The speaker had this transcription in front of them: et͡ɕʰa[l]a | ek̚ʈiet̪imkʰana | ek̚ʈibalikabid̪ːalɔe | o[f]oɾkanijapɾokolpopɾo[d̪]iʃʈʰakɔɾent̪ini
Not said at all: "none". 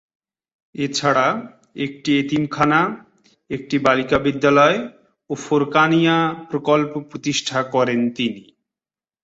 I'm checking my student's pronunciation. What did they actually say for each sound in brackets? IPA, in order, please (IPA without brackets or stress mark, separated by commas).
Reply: ɽ, f, t̪